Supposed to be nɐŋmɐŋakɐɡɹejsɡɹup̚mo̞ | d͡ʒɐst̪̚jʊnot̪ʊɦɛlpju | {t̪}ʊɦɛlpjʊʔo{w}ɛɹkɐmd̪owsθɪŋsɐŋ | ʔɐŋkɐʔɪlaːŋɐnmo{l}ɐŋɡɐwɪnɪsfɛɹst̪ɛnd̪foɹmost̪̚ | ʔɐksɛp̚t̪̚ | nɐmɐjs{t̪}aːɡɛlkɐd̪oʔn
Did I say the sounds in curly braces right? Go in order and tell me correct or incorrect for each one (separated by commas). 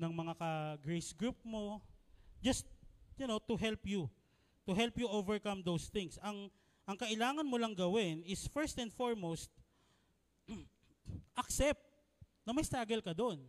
correct, incorrect, correct, correct